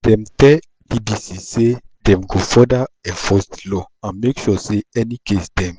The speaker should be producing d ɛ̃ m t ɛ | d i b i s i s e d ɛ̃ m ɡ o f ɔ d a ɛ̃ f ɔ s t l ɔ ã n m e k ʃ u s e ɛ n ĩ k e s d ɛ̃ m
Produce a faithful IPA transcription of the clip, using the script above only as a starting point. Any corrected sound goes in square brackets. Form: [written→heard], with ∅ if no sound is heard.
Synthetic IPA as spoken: d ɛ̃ m t ɛ | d i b i s i s e d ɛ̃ m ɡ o f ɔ d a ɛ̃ f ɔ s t l ɔ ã n m e k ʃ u s e ɛ n [ĩ→i] k e s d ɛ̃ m